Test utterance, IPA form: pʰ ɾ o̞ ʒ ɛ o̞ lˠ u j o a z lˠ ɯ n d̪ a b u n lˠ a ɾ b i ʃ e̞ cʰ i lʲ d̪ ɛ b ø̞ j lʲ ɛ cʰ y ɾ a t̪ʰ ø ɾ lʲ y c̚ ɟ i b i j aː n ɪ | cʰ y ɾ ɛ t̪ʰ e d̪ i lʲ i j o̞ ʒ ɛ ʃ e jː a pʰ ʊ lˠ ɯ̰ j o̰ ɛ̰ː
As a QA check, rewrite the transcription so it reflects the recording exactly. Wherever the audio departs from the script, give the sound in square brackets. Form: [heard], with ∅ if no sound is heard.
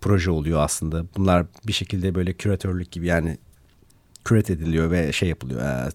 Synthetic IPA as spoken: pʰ ɾ o̞ ʒ ɛ o̞ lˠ u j o a [s] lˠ ɯ n d̪ a b u n lˠ a ɾ b i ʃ e̞ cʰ i lʲ d̪ ɛ b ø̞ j lʲ ɛ cʰ y ɾ a t̪ʰ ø ɾ lʲ y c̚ ɟ i b i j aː n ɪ | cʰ y ɾ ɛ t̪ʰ e d̪ i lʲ i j o̞ [v] ɛ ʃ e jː a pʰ [ɯ] lˠ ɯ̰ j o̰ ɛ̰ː